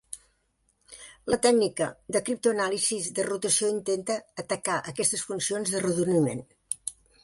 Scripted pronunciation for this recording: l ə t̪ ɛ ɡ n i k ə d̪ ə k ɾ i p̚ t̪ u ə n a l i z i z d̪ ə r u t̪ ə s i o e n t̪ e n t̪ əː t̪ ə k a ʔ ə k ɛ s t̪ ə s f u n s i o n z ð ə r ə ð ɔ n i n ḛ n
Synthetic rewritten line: l ə t̪ ɛ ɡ n i k ə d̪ ə k ɾ i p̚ t̪ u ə n a l i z i z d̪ ə r u t̪ ə s i o i n t̪ e n t̪ əː t̪ ə k a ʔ ə k ɛ s t̪ ə s f u n s i o n z ð ə r ə ð u n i m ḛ n